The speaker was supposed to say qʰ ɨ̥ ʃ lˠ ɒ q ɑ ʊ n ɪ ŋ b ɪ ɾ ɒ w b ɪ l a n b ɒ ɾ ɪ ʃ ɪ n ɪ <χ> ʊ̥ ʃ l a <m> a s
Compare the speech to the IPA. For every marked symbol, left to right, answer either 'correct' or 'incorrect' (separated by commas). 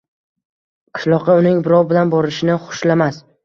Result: correct, correct